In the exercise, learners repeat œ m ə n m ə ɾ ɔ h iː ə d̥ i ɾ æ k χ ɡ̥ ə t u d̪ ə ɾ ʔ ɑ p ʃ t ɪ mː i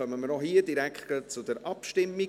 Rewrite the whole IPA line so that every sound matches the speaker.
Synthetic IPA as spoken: œ m ə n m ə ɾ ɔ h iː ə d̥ i ɾ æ k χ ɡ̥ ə t͡s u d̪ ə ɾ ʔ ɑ p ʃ t ɪ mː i